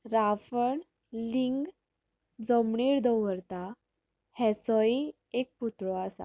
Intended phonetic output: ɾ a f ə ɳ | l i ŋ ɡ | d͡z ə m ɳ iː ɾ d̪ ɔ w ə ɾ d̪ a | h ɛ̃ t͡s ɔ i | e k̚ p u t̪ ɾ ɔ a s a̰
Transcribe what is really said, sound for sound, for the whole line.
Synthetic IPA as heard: ɾ a f ə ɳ | l i ŋ ɡ | d͡z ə m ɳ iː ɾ d̪ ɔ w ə ɾ t̪ a | h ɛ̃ t͡s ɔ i | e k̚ p u t̪ ɾ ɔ a s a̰